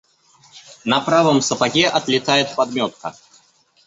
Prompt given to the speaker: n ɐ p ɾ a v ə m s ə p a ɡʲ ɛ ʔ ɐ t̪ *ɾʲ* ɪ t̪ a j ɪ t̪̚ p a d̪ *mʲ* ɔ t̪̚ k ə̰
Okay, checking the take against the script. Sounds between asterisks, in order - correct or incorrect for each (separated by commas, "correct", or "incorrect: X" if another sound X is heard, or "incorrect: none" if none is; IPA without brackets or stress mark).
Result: incorrect: lʲ, correct